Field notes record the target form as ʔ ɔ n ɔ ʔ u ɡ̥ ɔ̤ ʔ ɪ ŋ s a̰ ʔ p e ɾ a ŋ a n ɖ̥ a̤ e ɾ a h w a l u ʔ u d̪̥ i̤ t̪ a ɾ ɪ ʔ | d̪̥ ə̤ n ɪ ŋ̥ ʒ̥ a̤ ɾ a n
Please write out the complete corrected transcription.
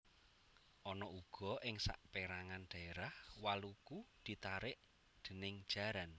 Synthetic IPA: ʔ ɔ n ɔ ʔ u ɡ̥ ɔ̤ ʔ ɪ ŋ s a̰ ʔ p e ɾ a ŋ a n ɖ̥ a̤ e ɾ a h w a l u k u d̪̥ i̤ t̪ a ɾ ɪ ʔ | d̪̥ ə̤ n ɪ ŋ̥ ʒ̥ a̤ ɾ a n